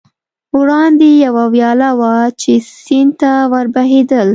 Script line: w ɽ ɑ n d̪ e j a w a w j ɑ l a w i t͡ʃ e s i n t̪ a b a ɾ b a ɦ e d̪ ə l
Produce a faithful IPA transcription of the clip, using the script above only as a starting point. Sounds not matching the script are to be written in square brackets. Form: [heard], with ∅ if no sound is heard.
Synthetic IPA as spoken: w ɽ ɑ n d̪ e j a w a w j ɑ l a w [a] t͡ʃ e s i n t̪ a [w] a ɾ b a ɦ e d̪ ə l